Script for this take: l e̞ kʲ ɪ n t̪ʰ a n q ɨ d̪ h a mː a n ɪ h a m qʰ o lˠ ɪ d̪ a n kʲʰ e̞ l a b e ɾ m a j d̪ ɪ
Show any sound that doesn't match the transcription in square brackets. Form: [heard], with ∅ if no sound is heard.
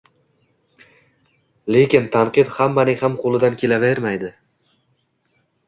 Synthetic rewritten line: l e̞ kʲ ɪ n t̪ʰ a n q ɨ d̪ h a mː a n ɪ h a m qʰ o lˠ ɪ d̪ a n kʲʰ e̞ l a [v] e ɾ m a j d̪ ɪ